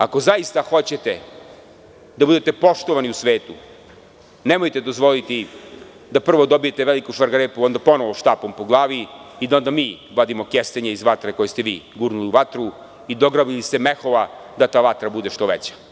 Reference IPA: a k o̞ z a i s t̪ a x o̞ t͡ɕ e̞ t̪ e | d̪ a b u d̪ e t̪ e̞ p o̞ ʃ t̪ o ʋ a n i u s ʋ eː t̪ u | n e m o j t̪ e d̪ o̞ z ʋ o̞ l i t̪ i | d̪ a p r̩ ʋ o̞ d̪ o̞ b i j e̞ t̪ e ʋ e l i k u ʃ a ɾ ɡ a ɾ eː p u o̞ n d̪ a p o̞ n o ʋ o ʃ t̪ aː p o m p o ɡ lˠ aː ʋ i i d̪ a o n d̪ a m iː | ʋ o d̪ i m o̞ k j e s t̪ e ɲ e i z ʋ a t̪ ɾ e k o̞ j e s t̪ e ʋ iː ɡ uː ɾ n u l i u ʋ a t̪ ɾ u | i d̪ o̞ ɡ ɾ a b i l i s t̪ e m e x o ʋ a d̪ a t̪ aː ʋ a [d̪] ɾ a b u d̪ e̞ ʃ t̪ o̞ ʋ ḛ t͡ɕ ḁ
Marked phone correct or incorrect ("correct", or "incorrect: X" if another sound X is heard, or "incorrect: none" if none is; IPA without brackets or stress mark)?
incorrect: t̪